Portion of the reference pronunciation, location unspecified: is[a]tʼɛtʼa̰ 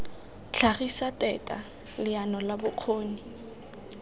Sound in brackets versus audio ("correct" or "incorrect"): correct